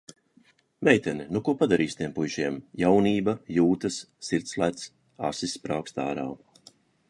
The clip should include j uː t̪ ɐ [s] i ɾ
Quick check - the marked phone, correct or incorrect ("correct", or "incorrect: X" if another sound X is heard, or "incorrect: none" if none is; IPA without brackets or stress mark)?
incorrect: sː